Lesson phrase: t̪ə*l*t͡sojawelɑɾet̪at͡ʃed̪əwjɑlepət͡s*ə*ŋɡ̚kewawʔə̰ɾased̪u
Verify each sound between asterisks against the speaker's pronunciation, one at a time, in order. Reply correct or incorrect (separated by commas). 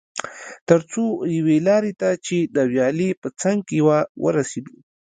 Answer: incorrect, incorrect